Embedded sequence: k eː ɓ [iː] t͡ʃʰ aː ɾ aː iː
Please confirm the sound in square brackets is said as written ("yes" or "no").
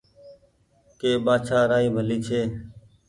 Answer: no